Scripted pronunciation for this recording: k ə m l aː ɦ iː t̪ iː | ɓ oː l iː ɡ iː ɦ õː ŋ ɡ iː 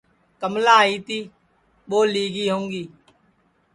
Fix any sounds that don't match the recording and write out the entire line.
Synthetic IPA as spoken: k ə m l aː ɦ iː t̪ iː | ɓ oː l iː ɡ iː ɦ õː ŋ ɡ iː